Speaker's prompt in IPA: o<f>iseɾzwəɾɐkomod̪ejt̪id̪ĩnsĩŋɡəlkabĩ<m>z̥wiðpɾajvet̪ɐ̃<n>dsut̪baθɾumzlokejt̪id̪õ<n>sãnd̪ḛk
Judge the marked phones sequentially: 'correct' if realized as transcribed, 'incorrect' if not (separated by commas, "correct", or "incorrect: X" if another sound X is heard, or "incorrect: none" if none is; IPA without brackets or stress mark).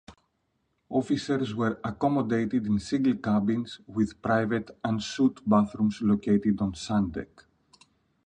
correct, incorrect: n, correct, correct